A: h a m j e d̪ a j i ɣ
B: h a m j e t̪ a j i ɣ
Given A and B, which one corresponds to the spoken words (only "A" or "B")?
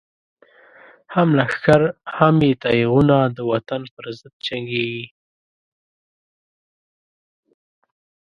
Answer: B